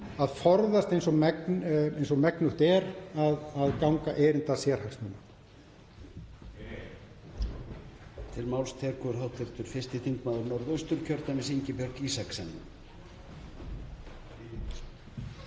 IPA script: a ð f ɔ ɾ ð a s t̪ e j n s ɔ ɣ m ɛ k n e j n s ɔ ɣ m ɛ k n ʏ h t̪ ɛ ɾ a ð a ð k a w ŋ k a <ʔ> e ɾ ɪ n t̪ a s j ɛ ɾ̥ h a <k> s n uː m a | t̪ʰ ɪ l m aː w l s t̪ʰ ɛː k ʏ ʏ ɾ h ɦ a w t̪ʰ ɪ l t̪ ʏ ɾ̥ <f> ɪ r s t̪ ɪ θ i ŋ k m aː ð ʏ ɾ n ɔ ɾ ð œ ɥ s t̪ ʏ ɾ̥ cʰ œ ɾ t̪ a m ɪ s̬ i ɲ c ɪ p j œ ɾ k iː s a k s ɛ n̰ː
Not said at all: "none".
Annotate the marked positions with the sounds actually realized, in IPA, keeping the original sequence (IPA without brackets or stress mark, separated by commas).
ʔ, k, f